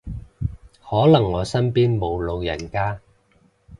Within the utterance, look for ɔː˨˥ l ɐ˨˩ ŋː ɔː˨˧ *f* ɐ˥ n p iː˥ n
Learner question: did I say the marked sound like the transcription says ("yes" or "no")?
no